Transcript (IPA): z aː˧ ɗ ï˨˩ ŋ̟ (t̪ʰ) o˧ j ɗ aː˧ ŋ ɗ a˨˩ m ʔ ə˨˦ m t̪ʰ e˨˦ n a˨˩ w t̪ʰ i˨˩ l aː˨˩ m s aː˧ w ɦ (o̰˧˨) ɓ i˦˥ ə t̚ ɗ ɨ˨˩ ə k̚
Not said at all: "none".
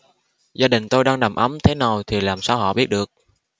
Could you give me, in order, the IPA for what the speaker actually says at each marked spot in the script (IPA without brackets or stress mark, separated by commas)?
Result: t̪, ɔ̰˧˨